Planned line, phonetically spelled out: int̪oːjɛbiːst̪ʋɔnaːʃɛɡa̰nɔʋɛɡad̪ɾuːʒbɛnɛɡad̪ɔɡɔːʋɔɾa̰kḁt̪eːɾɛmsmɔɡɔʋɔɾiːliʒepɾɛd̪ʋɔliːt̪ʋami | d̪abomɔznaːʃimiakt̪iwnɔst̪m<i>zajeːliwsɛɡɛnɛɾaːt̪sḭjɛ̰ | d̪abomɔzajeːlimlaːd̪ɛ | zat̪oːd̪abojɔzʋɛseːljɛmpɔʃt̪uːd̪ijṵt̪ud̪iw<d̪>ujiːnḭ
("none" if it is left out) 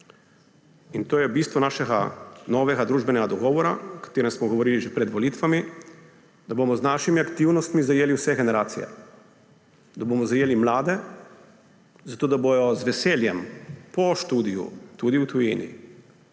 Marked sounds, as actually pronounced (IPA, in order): i, t̪

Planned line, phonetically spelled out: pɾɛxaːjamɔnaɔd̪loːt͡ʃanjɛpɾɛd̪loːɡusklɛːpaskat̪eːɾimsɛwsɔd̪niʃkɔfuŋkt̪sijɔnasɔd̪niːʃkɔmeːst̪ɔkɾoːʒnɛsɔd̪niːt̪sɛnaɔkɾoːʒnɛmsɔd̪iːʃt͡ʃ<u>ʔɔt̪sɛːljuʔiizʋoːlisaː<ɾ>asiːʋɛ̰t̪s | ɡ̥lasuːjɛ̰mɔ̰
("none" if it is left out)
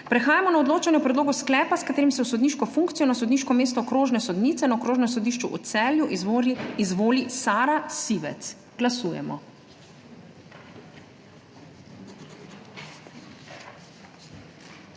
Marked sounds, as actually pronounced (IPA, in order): u, ɾ

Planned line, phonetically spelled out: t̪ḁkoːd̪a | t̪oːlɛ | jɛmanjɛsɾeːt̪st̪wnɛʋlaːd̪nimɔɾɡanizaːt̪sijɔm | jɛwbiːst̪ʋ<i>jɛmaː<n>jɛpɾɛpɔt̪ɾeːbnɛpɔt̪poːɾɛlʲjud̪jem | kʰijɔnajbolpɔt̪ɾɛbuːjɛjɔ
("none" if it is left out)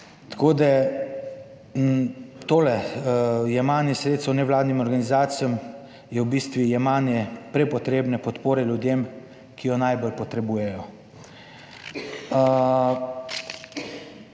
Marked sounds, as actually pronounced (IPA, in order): i, n

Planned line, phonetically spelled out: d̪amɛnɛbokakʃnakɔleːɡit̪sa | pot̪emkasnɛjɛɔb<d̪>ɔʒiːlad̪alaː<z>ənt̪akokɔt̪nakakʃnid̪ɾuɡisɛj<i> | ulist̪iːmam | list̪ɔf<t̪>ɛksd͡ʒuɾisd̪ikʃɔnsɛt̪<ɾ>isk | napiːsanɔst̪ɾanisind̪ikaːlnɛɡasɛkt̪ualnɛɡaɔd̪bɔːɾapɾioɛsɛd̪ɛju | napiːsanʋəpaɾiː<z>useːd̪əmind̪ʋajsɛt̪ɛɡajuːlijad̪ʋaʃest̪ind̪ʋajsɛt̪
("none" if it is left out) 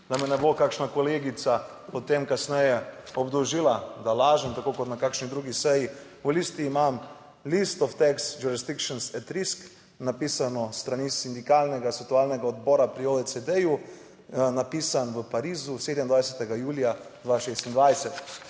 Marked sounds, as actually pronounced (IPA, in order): d̪, ʒ, i, t̪, ɾ, z

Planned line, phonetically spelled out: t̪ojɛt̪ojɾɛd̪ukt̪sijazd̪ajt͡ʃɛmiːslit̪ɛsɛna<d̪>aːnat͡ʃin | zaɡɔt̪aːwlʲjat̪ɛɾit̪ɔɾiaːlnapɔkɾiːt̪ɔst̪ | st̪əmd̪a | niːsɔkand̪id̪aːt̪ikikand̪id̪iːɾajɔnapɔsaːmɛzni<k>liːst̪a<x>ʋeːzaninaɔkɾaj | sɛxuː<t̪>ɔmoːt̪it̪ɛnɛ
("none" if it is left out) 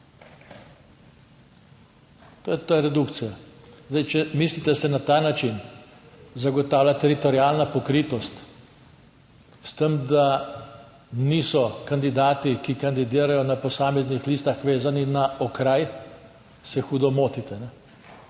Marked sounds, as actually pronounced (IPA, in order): t̪, x, x, d̪

